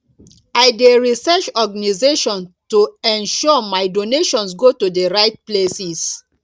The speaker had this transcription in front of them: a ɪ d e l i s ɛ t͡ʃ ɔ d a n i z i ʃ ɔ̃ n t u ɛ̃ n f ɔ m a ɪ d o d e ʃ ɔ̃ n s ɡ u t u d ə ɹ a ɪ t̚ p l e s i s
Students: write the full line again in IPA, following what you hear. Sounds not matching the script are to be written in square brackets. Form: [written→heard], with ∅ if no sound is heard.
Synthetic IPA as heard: a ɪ d e [l→ɹ] i s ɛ t͡ʃ ɔ [d→ɡ] a n i z [i→e] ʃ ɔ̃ n t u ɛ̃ n [f→ʃ] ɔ m a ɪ d o [d→n] e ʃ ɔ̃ n s ɡ [u→o] t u d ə ɹ a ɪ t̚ p l e s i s